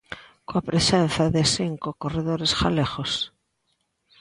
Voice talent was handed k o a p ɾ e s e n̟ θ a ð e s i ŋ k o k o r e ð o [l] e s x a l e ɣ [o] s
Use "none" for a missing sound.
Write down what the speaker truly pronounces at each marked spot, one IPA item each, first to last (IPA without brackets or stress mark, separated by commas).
ɾ, o